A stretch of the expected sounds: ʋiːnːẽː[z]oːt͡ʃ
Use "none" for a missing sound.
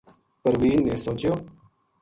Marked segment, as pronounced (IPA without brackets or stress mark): s